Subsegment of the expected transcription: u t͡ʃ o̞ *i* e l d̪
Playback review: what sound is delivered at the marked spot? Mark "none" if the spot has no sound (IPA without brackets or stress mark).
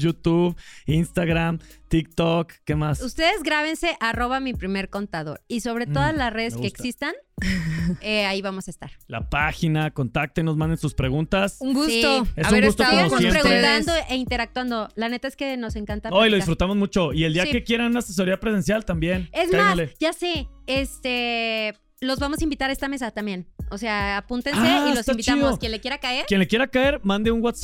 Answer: i